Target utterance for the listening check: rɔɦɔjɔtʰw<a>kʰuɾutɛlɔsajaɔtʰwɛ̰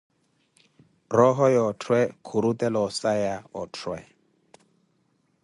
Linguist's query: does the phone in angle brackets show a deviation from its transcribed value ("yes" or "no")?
yes